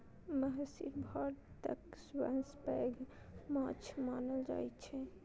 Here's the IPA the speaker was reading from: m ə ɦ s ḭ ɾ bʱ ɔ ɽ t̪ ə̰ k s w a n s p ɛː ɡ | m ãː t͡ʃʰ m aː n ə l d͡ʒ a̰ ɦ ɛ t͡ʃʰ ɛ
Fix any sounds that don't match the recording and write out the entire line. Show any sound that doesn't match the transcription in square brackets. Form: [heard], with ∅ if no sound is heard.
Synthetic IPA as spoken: m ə ɦ s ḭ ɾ bʱ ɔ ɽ t̪ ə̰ k s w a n s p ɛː ɡ | m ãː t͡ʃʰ m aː n ə l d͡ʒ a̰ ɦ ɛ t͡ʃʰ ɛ